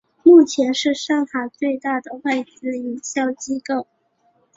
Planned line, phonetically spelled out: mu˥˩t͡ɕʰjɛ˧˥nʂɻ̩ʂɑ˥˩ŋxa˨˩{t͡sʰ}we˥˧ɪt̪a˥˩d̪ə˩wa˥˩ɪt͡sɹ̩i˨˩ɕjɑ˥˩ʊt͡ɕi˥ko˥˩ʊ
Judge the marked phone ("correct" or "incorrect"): incorrect